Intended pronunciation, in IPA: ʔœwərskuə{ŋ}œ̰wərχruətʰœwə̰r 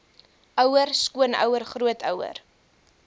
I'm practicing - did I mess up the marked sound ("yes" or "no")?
yes